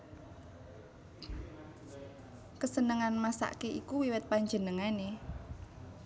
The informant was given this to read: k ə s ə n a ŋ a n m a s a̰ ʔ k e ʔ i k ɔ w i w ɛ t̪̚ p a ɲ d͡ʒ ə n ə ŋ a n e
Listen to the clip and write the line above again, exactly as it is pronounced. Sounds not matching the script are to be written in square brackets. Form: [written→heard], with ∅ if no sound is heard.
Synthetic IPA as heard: k ə s ə n [a→ə] ŋ a n m a s a̰ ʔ k e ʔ i k [ɔ→u] w i w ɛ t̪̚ p a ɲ d͡ʒ ə n ə ŋ a n e